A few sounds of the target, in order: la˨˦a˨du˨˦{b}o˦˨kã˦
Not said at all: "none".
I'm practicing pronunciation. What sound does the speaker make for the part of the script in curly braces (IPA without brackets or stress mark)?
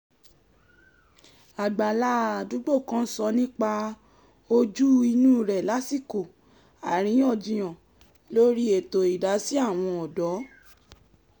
ɡ͡b